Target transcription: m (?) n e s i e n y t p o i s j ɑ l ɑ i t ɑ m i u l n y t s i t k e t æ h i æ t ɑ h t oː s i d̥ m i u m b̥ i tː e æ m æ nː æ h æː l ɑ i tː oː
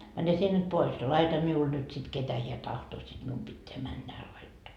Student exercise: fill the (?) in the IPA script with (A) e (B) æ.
B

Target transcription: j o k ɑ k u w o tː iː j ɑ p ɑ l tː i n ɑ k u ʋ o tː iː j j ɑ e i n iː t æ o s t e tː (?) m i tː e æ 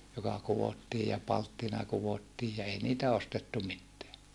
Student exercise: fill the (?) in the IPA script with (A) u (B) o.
A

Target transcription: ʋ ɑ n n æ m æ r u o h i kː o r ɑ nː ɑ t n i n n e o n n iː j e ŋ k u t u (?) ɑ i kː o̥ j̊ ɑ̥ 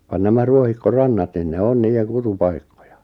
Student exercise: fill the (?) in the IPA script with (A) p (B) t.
A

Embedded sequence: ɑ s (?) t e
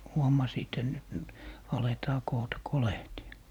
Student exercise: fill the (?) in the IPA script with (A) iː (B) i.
A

